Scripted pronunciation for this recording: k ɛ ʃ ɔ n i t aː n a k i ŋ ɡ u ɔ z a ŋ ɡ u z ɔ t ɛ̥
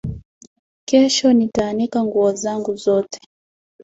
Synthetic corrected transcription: k ɛ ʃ ɔ n i t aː n i k a ŋ ɡ u ɔ z a ŋ ɡ u z ɔ t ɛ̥